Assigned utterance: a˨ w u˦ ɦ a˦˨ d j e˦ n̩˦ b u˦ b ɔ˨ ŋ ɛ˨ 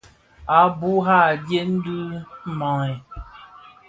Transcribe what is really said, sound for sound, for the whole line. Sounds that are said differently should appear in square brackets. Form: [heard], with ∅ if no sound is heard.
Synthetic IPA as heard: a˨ [b] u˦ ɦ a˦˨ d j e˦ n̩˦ [d] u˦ [m] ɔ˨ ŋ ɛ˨